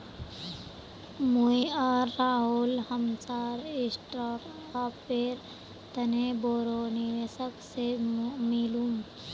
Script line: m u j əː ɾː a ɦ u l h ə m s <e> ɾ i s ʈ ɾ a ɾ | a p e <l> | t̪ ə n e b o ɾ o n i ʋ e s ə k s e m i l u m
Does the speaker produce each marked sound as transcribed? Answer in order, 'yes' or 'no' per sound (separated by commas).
no, no